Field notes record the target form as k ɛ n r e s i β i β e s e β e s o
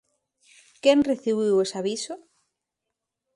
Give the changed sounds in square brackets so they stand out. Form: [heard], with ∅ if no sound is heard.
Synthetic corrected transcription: k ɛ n r e [θ] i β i [w] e s [a] β [i] s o